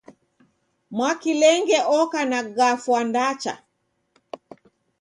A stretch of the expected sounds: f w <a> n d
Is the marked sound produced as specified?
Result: yes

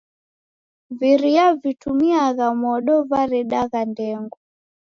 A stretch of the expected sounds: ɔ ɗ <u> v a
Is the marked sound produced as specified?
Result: no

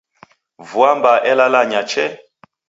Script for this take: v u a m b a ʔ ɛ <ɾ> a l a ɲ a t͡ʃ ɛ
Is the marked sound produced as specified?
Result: no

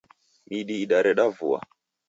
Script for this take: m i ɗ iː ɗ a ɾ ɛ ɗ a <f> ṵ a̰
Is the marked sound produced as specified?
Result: no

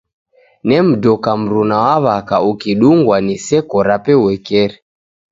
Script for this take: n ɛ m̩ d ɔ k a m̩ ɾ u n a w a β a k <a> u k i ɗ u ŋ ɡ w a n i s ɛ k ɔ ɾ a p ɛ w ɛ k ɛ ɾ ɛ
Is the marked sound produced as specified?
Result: yes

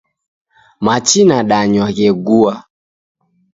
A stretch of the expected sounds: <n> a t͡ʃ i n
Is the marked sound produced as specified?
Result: no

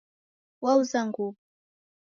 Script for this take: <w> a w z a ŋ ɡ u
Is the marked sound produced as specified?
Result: yes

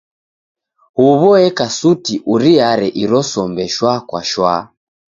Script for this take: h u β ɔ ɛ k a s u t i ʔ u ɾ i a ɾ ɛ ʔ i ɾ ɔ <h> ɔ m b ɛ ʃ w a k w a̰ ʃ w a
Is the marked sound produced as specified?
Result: no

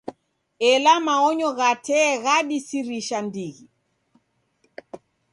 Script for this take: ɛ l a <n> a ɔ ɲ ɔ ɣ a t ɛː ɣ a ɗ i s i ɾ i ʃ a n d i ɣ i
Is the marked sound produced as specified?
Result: no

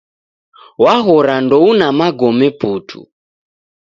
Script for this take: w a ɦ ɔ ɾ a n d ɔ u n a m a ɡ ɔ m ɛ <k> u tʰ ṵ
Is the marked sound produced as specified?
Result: no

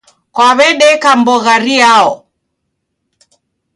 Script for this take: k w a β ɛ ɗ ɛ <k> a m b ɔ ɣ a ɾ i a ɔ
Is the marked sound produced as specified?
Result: yes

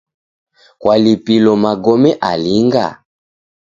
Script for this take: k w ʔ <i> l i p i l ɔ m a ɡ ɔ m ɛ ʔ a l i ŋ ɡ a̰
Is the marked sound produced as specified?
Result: no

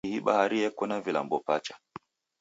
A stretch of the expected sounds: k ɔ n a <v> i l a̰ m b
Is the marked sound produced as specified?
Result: yes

